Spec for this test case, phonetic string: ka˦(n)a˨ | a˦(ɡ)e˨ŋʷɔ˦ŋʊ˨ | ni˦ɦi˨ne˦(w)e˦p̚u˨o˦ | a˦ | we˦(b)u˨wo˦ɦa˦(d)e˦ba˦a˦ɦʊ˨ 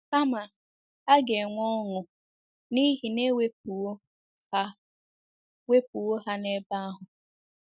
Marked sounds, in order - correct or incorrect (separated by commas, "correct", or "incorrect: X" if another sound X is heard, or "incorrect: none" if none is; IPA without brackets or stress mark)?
incorrect: m, correct, correct, incorrect: p, incorrect: n